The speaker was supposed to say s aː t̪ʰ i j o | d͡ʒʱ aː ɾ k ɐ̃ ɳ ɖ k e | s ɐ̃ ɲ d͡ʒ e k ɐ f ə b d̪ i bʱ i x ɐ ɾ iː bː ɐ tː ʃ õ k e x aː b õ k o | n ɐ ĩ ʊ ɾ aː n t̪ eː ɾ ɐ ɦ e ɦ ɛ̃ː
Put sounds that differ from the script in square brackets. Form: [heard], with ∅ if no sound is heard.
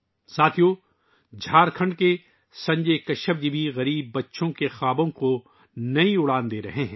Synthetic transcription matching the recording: s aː t̪ʰ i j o | d͡ʒʱ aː ɾ [kʰ] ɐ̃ ɳ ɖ k e | s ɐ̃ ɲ d͡ʒ e k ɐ [ʃ] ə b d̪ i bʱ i [ɣ] ɐ ɾ iː bː ɐ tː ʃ õ k e x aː b õ k o | n ɐ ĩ ʊ [ɽ] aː n [d̪] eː ɾ ɐ ɦ e ɦ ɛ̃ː